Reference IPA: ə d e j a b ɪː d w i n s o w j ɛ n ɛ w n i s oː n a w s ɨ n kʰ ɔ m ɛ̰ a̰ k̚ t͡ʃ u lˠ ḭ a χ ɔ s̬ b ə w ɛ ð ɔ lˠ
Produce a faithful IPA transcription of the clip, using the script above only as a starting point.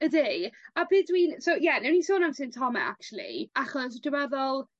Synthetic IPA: ə d e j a b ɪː d w i n s o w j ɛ n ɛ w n i s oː n a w s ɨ n tʰ ɔ m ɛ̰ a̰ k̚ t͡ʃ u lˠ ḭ a χ ɔ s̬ d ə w ɛ ð ɔ lˠ